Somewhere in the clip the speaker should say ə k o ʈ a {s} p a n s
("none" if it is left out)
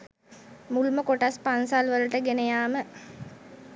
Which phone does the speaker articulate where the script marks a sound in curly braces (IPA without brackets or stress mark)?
s